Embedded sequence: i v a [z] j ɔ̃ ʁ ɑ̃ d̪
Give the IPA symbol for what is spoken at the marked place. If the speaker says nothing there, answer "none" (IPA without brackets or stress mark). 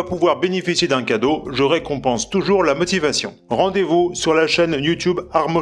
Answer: s